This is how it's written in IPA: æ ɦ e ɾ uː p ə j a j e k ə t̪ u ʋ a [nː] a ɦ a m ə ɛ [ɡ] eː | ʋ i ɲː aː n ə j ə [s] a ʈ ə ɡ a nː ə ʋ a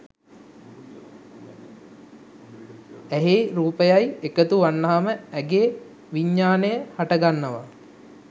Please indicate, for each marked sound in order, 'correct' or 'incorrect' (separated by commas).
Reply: correct, correct, incorrect